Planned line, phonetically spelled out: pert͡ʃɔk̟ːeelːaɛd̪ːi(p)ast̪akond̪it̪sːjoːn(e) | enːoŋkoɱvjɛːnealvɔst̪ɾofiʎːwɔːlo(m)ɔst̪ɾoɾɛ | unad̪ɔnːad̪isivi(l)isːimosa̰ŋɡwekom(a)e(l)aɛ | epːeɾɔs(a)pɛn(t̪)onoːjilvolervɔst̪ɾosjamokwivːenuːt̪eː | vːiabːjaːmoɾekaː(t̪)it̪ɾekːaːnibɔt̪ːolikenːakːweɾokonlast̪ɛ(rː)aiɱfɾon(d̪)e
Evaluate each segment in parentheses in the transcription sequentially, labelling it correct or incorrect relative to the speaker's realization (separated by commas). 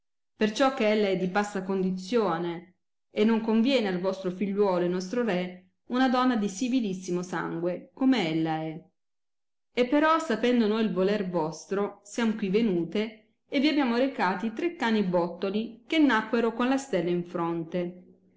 incorrect, correct, incorrect, correct, incorrect, incorrect, correct, incorrect, correct, incorrect, incorrect